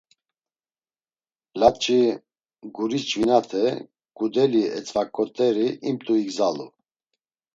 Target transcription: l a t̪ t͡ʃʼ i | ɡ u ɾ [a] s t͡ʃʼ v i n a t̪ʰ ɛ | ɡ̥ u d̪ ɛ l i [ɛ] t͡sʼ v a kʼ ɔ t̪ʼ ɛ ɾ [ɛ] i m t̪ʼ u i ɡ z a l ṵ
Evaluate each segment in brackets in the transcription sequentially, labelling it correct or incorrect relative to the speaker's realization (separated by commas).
incorrect, correct, incorrect